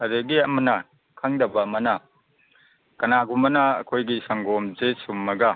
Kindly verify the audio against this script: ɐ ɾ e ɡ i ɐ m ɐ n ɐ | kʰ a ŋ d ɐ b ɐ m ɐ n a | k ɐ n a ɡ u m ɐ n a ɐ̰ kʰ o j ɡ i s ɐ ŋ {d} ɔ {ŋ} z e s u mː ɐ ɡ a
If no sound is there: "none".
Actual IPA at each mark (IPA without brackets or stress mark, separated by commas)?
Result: ɡ, m